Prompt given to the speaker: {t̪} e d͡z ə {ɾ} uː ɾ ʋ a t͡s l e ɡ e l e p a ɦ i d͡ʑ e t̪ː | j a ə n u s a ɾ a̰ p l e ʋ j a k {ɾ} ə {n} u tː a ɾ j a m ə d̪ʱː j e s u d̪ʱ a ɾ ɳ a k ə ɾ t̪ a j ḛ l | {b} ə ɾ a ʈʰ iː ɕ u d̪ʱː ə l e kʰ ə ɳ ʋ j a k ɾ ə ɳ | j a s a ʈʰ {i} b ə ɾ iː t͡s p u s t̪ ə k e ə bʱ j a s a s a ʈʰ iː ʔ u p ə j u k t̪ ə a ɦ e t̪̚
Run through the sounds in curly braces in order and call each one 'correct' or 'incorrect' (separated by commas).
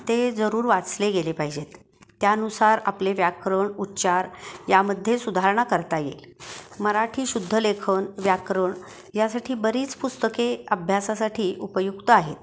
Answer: correct, correct, correct, incorrect, incorrect, incorrect